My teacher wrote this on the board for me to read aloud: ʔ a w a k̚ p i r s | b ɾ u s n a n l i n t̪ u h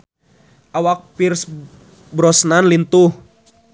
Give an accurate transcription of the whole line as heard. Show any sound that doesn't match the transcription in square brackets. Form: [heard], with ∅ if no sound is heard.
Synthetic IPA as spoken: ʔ a w a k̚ p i r s | b ɾ [ɔ] s n a n l i n t̪ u h